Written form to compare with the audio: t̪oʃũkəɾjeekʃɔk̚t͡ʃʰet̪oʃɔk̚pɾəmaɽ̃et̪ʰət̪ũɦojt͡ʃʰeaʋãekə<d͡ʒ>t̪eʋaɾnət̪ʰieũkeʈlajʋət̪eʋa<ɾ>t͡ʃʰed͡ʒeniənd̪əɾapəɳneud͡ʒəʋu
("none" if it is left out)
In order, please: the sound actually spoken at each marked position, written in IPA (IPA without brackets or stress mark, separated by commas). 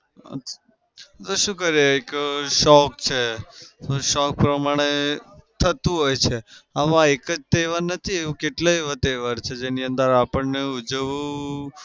d͡ʒ, ɾ